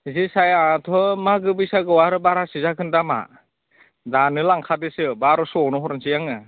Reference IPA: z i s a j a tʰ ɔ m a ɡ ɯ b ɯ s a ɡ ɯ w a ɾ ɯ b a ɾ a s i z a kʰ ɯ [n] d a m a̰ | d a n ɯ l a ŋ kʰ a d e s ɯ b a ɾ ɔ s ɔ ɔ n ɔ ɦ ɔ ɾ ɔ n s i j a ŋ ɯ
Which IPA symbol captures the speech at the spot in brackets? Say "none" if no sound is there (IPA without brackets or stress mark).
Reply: n